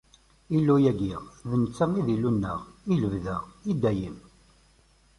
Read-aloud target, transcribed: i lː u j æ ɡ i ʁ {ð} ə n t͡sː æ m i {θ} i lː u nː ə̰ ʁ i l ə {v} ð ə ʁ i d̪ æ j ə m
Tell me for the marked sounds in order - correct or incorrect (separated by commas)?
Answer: correct, incorrect, correct